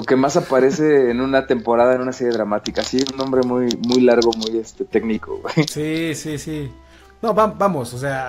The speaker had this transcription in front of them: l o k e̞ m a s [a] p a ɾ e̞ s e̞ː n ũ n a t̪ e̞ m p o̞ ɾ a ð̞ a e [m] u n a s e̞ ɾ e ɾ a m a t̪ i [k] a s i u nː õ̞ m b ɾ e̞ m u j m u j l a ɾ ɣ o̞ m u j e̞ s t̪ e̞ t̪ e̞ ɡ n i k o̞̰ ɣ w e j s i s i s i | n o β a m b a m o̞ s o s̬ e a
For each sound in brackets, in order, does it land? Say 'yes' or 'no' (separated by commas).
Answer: yes, no, yes